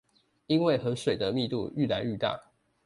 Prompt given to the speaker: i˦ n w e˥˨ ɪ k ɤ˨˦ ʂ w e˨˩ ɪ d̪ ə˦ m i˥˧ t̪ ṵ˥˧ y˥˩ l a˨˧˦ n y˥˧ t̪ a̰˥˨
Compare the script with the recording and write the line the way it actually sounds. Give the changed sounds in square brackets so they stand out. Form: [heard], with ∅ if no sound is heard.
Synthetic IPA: i˦ n w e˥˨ ɪ [x] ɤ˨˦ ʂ w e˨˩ ɪ d̪ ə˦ m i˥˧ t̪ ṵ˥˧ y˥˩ l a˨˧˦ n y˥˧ t̪ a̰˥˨

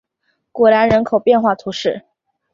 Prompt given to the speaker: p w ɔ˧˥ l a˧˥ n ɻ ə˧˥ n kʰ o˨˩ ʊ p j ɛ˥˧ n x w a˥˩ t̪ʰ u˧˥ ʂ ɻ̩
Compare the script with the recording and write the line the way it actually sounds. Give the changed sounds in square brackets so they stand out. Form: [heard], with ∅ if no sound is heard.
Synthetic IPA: [k] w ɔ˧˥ l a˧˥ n ɻ ə˧˥ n kʰ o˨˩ ʊ p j ɛ˥˧ n x w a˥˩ t̪ʰ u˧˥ ʂ ɻ̩

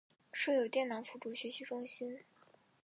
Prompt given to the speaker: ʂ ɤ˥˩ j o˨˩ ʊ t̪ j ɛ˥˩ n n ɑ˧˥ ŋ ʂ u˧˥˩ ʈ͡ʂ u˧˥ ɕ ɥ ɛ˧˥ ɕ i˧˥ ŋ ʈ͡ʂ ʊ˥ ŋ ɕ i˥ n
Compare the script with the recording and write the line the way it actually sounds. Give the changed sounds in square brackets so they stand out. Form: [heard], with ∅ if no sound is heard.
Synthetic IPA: ʂ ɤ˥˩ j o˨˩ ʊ t̪ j ɛ˥˩ n n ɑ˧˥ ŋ [f] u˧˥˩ ʈ͡ʂ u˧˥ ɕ ɥ ɛ˧˥ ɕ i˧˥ [∅] ʈ͡ʂ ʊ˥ ŋ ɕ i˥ n

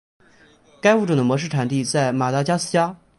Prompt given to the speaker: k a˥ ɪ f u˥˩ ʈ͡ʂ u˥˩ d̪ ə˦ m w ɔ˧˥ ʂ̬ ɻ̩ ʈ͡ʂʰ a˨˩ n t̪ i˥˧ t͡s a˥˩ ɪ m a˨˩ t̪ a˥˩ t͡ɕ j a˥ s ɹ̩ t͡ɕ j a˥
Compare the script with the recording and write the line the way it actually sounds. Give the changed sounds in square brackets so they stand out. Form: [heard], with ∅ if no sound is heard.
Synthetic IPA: k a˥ ɪ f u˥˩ ʈ͡ʂ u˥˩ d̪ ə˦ m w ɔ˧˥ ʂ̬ ɻ̩ ʈ͡ʂʰ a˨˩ n t̪ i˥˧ t͡s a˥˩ ɪ m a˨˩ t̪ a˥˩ t͡ɕ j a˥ s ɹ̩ t͡ɕ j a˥

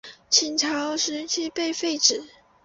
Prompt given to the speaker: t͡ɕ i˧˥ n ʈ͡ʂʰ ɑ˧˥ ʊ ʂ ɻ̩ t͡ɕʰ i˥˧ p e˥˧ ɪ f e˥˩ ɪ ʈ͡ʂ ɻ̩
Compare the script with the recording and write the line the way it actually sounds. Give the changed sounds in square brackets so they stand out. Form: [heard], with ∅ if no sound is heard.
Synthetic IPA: [t͡ɕʰ] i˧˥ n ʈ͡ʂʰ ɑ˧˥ ʊ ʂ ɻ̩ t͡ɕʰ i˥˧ p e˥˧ ɪ f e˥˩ ɪ ʈ͡ʂ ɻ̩

